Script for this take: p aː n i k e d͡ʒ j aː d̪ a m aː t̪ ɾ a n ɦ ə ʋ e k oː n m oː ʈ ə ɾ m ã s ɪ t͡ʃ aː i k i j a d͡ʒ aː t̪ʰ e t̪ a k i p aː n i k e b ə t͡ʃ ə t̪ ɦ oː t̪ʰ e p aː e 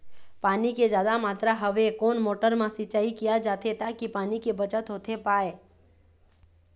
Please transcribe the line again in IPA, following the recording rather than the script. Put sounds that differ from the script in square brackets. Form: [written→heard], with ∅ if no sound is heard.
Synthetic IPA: p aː n i k e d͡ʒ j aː d̪ a m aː t̪ ɾ a [n→∅] ɦ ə ʋ e k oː n m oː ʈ ə ɾ m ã s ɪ t͡ʃ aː i k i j a d͡ʒ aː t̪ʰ e t̪ a k i p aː n i k e b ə t͡ʃ ə t̪ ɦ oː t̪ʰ e p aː e